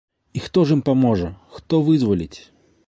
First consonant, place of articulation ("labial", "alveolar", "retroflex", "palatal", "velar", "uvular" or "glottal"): velar